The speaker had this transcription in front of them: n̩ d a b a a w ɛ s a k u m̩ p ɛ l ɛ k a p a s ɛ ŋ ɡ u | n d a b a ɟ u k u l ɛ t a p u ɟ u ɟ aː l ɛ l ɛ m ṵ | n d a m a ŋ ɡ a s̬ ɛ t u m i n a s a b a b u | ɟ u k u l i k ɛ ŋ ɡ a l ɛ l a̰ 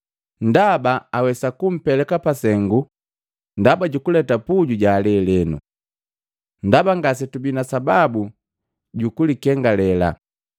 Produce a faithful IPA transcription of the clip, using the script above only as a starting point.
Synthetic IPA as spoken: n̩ d a b a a w ɛ s a k u m̩ p ɛ l ɛ k a p a s ɛ ŋ ɡ u | n d a b a ɟ u k u l ɛ t a p u ɟ u ɟ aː l ɛ l ɛ n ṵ | n d a b a ŋ ɡ a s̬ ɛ t u b i n a s a b a b u | ɟ u k u l i k ɛ ŋ ɡ a l ɛ l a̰